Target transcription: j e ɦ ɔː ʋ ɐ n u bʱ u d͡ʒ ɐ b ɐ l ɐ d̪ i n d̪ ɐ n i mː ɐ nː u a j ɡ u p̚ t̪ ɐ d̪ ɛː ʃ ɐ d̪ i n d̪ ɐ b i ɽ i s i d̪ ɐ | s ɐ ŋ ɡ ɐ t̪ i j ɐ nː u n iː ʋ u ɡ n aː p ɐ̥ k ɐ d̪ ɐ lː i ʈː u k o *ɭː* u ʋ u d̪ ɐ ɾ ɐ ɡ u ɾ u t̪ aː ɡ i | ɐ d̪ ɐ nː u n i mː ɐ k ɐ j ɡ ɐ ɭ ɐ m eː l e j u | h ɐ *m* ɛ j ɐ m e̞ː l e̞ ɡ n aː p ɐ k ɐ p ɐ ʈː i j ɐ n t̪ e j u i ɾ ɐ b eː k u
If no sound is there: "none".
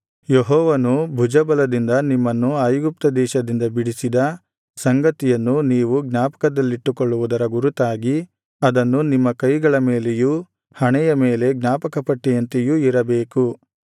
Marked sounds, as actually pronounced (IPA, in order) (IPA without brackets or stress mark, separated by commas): ɭː, ɳ